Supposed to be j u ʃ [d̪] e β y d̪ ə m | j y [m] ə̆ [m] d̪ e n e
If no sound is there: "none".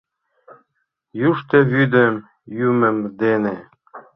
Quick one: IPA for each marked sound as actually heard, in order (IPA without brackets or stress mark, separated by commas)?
t̪, m, m